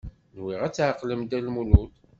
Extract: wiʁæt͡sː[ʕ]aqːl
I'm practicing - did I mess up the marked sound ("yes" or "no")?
no